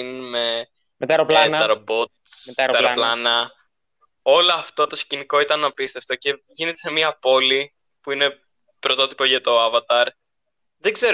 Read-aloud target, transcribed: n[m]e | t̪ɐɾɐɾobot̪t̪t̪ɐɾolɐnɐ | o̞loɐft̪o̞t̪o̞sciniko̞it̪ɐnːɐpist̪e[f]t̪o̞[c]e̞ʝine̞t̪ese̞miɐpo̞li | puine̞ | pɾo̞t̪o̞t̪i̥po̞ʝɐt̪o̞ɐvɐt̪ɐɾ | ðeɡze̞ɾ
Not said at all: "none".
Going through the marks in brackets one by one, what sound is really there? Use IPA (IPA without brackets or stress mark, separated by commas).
m, f, c